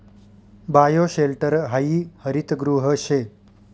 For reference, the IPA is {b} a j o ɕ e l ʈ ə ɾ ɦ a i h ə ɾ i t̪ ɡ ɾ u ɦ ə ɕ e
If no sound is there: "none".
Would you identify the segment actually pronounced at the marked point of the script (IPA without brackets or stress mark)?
b